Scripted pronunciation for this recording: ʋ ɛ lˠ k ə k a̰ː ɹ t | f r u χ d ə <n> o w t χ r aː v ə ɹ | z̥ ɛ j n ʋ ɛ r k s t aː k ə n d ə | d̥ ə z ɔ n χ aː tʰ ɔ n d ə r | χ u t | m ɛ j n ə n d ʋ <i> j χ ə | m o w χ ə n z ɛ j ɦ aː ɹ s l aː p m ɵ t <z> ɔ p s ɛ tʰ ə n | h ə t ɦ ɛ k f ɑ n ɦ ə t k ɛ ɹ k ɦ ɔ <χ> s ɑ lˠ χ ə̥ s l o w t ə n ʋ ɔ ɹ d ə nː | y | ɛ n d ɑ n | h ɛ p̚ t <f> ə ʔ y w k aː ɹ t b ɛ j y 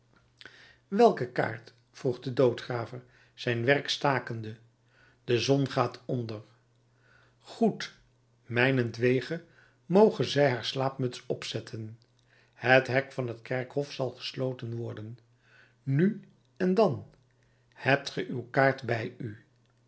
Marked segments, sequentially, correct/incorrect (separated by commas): incorrect, incorrect, incorrect, incorrect, incorrect